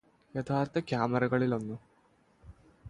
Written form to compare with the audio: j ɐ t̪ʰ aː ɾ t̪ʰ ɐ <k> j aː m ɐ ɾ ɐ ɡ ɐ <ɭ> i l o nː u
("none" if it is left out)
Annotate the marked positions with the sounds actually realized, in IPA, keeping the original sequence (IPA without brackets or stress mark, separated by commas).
k, ɭ